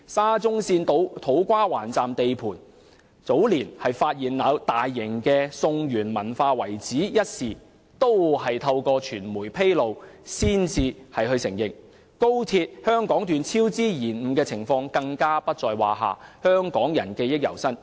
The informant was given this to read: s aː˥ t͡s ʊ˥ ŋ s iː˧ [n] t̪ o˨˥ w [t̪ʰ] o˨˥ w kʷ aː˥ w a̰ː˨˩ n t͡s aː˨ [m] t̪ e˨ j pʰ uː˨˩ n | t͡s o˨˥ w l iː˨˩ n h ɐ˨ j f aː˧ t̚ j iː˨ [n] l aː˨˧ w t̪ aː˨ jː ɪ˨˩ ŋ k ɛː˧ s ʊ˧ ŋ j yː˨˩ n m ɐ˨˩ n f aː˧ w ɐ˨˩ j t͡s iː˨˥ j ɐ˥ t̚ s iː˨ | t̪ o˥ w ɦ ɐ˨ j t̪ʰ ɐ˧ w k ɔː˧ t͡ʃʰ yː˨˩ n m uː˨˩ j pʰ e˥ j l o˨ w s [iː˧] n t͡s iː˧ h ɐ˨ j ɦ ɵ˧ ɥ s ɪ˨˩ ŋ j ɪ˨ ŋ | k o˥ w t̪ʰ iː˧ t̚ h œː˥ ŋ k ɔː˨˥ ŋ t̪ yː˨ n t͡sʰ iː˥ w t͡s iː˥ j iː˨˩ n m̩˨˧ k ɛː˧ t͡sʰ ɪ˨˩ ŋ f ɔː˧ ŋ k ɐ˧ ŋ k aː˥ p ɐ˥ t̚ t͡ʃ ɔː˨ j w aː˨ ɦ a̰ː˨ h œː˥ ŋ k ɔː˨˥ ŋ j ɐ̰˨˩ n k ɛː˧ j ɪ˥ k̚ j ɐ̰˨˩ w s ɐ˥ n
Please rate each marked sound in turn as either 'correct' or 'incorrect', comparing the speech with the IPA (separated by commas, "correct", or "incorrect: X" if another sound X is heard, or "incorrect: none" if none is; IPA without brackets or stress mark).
correct, correct, correct, correct, incorrect: iː˥